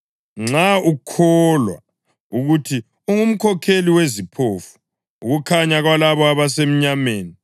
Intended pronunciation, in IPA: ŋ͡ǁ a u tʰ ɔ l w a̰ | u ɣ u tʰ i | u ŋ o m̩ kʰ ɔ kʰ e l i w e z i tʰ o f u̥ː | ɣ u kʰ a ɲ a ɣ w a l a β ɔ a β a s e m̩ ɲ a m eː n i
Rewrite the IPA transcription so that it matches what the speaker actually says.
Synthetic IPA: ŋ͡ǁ a u kʰ ɔ l w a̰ | u ɣ u tʰ i | u ŋ u m̩ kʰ ɔ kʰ e l i w e z i pʰ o f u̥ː | ɣ u kʰ a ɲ a ɣ w a l a β ɔ a β a s e m̩ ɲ a m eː n i